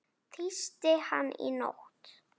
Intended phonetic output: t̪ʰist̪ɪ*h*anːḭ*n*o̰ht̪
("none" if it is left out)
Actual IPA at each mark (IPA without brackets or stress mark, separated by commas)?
h, n